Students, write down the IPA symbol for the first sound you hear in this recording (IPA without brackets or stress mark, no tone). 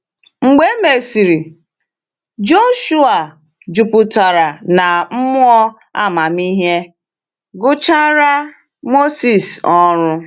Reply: ŋ͡m̩